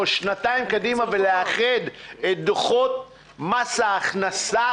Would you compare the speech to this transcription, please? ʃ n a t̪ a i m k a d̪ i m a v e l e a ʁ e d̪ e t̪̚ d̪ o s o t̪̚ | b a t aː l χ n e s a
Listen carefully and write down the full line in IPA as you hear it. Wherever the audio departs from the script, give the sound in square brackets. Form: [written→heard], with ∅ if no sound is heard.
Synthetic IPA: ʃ n a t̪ a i m k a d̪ i m a v e l e a [ʁ→χ] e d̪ e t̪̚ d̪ o [s→χ] o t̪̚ | [b→m] a [t→s] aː [l→∅] χ n [e→a] s a